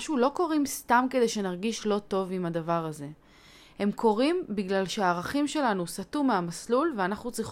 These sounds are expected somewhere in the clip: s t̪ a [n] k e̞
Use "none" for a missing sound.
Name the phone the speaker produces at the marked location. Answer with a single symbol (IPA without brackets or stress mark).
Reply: m